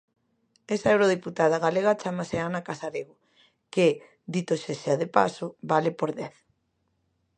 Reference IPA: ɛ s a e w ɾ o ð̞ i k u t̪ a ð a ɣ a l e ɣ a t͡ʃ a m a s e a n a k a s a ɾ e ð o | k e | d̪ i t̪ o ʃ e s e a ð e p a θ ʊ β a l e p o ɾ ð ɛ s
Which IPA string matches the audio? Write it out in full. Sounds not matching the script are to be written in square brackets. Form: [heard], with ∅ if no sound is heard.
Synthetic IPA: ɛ s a e w ɾ o ð̞ i [p] u t̪ a ð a ɣ a l e ɣ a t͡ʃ a m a s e a n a k a s a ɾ e [ɣ] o | k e | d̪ i t̪ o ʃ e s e a ð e p a [s] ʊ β a l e p o ɾ ð ɛ [θ]